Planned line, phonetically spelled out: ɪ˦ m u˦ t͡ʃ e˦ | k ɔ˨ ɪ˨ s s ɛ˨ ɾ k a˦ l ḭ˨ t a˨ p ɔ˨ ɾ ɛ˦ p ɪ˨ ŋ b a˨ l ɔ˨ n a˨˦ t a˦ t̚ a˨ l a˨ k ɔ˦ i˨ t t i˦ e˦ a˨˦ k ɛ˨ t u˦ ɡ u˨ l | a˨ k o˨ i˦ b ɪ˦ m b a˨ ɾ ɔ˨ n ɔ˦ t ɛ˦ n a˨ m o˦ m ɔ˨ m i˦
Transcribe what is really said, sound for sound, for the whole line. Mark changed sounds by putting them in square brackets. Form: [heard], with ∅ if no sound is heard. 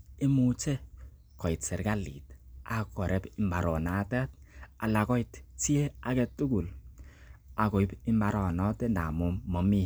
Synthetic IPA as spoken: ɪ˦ m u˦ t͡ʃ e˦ | k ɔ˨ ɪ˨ [t] s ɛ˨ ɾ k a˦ l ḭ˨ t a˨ [k] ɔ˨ ɾ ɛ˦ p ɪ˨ [m] b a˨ [ɾ] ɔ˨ n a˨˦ t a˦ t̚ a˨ l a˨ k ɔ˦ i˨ t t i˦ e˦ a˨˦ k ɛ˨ t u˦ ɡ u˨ l | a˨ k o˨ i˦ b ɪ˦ m b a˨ ɾ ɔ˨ n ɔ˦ t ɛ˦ n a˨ m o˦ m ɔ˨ m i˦